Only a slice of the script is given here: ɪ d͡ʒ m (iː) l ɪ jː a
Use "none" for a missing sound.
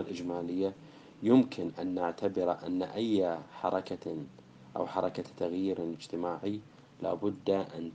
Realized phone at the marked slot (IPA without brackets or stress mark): aː